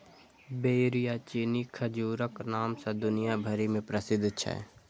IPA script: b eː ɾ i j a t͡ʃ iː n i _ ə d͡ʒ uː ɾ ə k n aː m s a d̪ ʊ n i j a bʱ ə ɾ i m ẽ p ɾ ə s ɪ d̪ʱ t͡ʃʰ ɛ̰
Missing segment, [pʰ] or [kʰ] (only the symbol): kʰ